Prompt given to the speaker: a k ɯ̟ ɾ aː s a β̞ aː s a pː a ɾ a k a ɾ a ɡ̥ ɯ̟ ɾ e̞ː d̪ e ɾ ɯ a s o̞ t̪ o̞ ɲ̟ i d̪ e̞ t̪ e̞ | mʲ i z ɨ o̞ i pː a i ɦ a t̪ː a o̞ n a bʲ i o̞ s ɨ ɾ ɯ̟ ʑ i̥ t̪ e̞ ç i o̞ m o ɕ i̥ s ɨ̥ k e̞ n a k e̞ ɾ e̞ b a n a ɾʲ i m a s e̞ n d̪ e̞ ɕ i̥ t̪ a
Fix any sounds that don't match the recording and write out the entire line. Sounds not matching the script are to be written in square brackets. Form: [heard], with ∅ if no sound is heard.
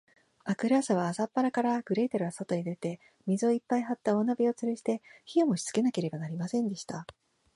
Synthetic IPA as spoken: a k ɯ̟ ɾ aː s a β̞ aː s a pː a ɾ a k a ɾ a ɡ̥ ɯ̟ ɾ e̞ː [t̪] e ɾ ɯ a s o̞ t̪ o̞ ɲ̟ i d̪ e̞ t̪ e̞ | mʲ i z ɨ o̞ i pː a i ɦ a t̪ː a o̞ n a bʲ i o̞ [t͡s] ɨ ɾ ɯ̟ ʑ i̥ t̪ e̞ ç i o̞ m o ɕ i̥ [t͡s] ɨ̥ k e̞ n a k e̞ ɾ e̞ b a n a ɾʲ i m a s [ẽ̞] n d̪ e̞ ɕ i̥ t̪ a

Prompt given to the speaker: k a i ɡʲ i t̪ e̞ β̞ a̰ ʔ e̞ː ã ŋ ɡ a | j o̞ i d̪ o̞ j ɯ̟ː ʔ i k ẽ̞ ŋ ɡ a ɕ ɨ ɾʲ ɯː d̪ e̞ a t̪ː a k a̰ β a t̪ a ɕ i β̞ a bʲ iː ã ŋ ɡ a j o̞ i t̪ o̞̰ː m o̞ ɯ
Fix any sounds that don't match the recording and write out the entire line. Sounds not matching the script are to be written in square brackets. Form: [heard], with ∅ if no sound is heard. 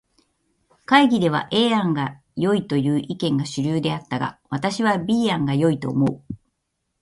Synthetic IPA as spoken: k a i ɡʲ i [d̪] e̞ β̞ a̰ ʔ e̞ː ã ŋ ɡ a | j o̞ i [t̪] o̞ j ɯ̟ː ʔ i k ẽ̞ ŋ ɡ a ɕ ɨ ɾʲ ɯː d̪ e̞ a t̪ː a [ɡ] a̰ β a t̪ a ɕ i β̞ a bʲ iː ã ŋ ɡ a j o̞ i t̪ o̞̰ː m o̞ ɯ

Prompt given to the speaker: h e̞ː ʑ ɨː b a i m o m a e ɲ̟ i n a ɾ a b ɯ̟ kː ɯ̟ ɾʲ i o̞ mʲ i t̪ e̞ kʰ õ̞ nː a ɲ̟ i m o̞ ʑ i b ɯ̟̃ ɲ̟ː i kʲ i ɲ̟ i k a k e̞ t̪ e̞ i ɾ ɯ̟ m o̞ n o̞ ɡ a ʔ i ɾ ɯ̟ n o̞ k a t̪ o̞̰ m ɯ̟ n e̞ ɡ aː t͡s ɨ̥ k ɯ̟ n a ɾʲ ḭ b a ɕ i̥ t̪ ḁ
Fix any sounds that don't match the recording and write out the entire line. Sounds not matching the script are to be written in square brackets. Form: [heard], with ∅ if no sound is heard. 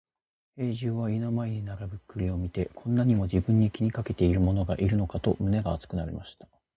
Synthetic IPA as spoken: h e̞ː ʑ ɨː [β] a i [n] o m a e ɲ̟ i n a ɾ a b ɯ̟ kː ɯ̟ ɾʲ i o̞ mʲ i t̪ e̞ kʰ õ̞ nː a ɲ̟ i m o̞ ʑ i b ɯ̟̃ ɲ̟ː i kʲ i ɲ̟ i k a k e̞ t̪ e̞ i ɾ ɯ̟ m o̞ n o̞ ɡ a ʔ i ɾ ɯ̟ n o̞ k a t̪ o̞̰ m ɯ̟ n e̞ ɡ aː t͡s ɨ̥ k ɯ̟ n a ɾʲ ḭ [m] a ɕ i̥ t̪ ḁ

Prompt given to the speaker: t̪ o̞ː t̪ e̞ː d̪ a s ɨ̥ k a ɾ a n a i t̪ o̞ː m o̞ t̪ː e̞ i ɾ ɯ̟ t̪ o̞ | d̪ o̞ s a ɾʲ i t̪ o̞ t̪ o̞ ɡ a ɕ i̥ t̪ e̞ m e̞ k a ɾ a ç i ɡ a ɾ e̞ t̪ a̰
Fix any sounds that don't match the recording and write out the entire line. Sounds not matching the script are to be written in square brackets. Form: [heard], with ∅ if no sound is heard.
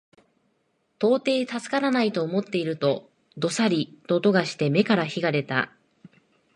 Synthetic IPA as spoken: t̪ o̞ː t̪ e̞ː [t̪] a s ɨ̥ k a ɾ a n a i t̪ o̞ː m o̞ t̪ː e̞ i ɾ ɯ̟ t̪ o̞ | d̪ o̞ s a ɾʲ i t̪ o̞ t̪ o̞ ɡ a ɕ i̥ t̪ e̞ m e̞ k a ɾ a ç i ɡ a ɾ e̞ t̪ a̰

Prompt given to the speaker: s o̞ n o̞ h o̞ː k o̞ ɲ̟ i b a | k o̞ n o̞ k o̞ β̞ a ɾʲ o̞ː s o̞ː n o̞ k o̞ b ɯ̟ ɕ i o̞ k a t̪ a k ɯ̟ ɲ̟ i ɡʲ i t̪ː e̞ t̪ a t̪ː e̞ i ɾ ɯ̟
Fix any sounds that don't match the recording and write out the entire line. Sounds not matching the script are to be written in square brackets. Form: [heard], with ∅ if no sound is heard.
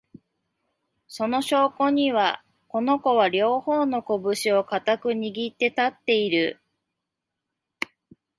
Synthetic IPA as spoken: s o̞ n o̞ [ɕ] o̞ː k o̞ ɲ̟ i [β] a | k o̞ n o̞ k o̞ β̞ a ɾʲ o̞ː [h] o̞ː n o̞ k o̞ b ɯ̟ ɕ i o̞ k a t̪ a k ɯ̟ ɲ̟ i ɡʲ i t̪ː e̞ t̪ a t̪ː e̞ i ɾ ɯ̟

